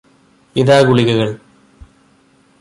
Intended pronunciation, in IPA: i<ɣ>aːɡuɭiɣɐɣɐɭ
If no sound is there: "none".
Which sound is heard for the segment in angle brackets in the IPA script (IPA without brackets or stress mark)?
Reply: ð